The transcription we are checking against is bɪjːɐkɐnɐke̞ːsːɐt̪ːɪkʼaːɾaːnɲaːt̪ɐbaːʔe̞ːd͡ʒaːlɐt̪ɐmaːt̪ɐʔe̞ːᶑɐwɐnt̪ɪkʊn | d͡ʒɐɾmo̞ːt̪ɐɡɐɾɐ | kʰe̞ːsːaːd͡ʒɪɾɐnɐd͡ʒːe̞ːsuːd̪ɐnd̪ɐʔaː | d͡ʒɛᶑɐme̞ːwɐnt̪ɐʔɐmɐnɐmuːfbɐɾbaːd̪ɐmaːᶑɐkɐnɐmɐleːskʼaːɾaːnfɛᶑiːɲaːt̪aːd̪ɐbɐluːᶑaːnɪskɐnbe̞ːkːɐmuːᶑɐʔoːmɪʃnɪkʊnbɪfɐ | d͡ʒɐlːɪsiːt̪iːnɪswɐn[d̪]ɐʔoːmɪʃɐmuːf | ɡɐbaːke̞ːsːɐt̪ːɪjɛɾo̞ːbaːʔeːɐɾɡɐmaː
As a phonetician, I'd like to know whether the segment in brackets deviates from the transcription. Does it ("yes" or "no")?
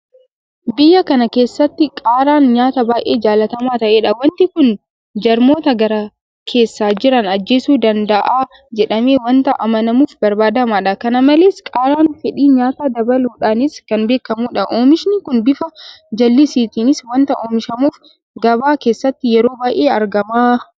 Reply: yes